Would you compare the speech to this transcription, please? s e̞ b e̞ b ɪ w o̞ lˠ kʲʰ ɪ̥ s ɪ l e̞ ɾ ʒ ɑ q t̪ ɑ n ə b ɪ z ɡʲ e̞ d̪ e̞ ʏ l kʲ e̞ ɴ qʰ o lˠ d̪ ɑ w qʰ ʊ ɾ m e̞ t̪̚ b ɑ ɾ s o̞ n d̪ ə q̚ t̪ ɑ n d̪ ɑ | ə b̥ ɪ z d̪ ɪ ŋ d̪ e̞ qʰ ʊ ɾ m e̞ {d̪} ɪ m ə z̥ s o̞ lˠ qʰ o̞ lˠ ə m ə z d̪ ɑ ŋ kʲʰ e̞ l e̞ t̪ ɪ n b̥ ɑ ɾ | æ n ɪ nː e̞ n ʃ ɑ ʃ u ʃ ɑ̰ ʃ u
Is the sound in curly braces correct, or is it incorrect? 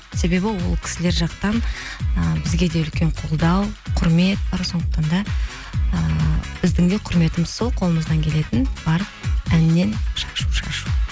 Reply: incorrect